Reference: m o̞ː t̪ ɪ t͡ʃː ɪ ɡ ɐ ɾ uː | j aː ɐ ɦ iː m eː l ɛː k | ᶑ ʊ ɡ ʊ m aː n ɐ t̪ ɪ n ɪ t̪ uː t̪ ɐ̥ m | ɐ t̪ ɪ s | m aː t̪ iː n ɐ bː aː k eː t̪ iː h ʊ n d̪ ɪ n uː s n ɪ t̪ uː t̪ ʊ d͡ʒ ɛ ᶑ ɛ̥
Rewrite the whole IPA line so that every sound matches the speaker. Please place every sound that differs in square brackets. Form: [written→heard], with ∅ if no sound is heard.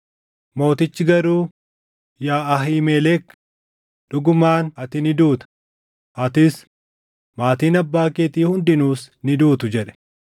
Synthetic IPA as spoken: m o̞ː t̪ ɪ t͡ʃː ɪ ɡ ɐ ɾ uː | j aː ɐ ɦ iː m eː l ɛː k | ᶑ ʊ ɡ ʊ m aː n ɐ t̪ ɪ n ɪ [t̪→d̪] uː t̪ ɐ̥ [m→∅] | ɐ t̪ ɪ s | m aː t̪ iː n ɐ bː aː k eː t̪ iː h ʊ n d̪ ɪ n uː s n ɪ [t̪→d̪] uː t̪ ʊ d͡ʒ ɛ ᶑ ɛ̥